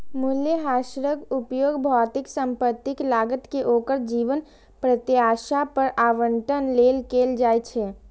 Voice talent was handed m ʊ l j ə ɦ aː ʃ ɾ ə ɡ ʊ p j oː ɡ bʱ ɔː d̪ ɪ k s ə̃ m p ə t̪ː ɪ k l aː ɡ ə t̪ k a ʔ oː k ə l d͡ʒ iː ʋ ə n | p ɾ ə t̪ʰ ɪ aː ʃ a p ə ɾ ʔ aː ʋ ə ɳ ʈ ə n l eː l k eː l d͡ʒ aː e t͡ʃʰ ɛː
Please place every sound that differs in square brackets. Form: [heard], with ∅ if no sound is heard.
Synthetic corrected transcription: m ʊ l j ə ɦ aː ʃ ɾ ə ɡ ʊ p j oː ɡ bʱ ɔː [t̪] ɪ k s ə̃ m p ə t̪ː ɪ k l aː ɡ ə t̪ k [e] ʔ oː k ə [ɾ] d͡ʒ iː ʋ ə n | p ɾ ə [t̪] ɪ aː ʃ a p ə ɾ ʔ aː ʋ ə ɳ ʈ ə n l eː l k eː l d͡ʒ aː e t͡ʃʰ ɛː